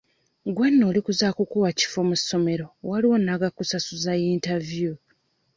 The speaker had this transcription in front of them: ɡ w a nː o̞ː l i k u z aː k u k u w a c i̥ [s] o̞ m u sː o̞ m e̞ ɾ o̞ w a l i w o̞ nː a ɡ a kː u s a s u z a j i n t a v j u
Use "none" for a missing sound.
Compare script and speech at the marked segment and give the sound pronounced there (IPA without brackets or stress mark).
f